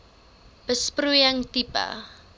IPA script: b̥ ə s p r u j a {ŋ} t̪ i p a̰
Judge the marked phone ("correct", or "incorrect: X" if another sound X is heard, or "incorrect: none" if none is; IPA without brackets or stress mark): correct